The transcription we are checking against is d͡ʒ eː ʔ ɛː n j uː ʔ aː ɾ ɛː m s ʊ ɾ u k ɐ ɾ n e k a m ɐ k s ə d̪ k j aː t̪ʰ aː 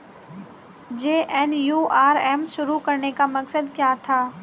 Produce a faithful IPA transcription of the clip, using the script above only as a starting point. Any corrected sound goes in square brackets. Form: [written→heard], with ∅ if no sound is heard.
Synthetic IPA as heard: d͡ʒ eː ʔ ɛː n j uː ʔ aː ɾ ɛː m [s→ʃ] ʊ ɾ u k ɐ ɾ n e k a m ɐ k s ə d̪ k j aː t̪ʰ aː

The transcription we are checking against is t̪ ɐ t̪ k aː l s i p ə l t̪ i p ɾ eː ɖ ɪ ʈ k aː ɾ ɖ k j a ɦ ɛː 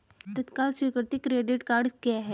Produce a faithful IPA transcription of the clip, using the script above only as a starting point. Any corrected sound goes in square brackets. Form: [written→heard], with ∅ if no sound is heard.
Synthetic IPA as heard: t̪ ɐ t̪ k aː l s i [p→k] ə [l→ɾ] t̪ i [p→k] ɾ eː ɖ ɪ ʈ k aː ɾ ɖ k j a ɦ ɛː

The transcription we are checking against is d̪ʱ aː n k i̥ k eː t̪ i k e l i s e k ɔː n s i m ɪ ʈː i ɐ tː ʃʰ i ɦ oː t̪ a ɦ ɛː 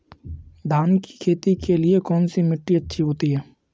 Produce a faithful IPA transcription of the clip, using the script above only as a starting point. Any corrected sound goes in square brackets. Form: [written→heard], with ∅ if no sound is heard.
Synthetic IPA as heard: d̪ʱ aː n k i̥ [k→kʰ] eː t̪ i k e l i [s→∅] e k ɔː n s i m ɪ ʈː i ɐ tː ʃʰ i ɦ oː t̪ [a→i] ɦ ɛː

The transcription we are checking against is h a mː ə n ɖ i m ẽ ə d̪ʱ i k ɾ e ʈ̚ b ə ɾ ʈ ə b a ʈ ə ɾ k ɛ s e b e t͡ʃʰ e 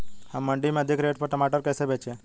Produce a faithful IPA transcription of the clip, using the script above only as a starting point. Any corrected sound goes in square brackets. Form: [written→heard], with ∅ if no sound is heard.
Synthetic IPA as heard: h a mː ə [n→ɳ] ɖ i m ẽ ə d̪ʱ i k ɾ e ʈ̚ [b→p] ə ɾ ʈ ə [b→m] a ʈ ə ɾ k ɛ s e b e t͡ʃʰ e

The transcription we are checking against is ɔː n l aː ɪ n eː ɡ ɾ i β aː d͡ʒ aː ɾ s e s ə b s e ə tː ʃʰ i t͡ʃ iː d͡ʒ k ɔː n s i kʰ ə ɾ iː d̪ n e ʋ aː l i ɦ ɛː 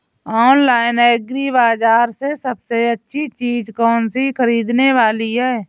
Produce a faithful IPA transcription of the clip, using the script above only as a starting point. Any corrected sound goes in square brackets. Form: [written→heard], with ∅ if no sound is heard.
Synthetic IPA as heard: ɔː n l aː ɪ n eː ɡ ɾ i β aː d͡ʒ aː ɾ s e s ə b s e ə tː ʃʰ i t͡ʃ iː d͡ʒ k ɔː n s i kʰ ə ɾ iː d̪ n e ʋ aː l i ɦ ɛː

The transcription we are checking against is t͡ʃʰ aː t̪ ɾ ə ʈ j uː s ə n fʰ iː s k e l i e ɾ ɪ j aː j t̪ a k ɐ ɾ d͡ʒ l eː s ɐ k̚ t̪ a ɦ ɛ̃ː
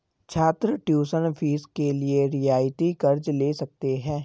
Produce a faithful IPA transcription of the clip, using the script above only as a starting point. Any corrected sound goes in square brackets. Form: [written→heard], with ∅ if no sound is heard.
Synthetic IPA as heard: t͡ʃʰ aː t̪ ɾ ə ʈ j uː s ə n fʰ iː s k e l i e ɾ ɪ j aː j t̪ [a→i] k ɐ ɾ d͡ʒ l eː s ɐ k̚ t̪ [a→e] ɦ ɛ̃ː

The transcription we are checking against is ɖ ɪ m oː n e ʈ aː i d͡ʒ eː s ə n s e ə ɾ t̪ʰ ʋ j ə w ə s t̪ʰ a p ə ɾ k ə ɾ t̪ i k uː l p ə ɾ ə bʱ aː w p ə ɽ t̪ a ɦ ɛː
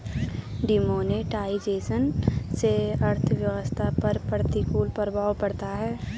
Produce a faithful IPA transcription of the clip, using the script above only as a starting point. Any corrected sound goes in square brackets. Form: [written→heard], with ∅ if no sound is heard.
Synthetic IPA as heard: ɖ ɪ m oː n e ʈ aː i d͡ʒ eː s ə n s e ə ɾ t̪ʰ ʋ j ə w ə s t̪ʰ a p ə ɾ [k→p] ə ɾ t̪ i k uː l p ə ɾ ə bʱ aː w p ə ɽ t̪ a ɦ ɛː

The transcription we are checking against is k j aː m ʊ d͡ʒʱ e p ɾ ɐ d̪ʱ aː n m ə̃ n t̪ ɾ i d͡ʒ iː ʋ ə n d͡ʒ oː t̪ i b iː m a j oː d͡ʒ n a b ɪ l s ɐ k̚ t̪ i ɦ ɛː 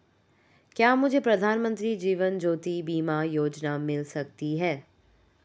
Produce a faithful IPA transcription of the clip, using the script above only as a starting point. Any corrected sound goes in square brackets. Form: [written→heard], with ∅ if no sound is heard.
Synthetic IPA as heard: k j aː m ʊ d͡ʒʱ e p ɾ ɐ d̪ʱ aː n m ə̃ n t̪ ɾ i d͡ʒ iː ʋ ə n d͡ʒ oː t̪ i b iː m a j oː d͡ʒ n a [b→m] ɪ l s ɐ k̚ t̪ i ɦ ɛː

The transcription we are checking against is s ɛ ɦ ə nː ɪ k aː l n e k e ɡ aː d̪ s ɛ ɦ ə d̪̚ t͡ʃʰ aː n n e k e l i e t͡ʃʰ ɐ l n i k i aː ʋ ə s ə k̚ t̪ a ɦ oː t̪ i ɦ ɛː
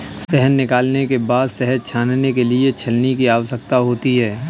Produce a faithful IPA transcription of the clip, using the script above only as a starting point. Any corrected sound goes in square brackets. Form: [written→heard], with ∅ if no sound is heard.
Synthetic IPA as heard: s ɛ ɦ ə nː ɪ k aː l n e k e [ɡ→b] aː d̪ s ɛ ɦ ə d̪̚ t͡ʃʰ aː n n e k e l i e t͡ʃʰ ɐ l n i k i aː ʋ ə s ə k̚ t̪ a ɦ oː t̪ i ɦ ɛː

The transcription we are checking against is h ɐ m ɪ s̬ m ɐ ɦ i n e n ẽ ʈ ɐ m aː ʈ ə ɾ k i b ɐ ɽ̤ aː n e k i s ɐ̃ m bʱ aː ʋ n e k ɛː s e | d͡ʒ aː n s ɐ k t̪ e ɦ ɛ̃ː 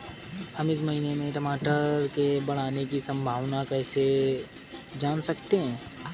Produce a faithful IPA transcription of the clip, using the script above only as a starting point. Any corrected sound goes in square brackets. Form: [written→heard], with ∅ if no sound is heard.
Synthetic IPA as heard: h ɐ m ɪ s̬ m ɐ ɦ i n e [n→m] ẽ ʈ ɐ m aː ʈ ə ɾ k [i→e] b ɐ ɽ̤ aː n e k i s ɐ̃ m bʱ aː ʋ n [e→a] k ɛː s e | d͡ʒ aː n s ɐ k t̪ e ɦ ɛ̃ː

